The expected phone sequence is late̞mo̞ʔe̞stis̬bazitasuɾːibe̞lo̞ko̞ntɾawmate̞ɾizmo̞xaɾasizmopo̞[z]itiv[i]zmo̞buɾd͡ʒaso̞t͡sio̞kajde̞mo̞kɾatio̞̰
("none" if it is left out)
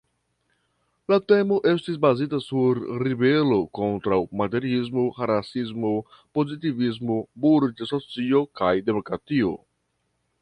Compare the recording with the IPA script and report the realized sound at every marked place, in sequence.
z, i

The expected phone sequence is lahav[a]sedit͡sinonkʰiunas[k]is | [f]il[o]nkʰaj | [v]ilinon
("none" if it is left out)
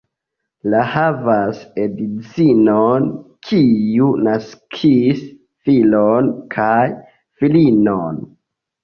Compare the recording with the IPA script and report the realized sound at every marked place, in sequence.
a, kʰ, f, o, f

